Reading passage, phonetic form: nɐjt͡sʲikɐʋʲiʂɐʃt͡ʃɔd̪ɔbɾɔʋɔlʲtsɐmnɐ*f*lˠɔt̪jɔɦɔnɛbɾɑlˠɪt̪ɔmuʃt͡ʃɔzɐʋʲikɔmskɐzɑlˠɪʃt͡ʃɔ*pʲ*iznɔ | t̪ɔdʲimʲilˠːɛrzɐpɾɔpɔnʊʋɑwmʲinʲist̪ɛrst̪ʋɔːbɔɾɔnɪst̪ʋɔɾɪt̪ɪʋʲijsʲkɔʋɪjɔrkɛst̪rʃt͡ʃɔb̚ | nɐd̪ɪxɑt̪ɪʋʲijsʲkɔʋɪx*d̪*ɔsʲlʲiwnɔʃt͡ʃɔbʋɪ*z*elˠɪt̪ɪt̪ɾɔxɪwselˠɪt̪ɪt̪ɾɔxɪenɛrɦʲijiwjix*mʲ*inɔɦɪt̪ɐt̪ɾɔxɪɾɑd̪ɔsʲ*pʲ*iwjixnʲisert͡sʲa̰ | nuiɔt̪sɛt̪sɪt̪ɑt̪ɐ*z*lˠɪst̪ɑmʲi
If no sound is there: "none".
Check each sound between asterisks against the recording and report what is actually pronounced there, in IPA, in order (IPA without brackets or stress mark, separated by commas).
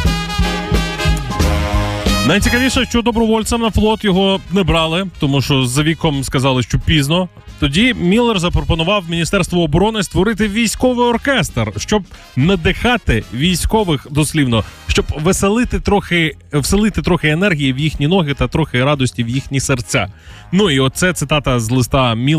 f, pʲ, d̪, s, nʲ, tʲ, z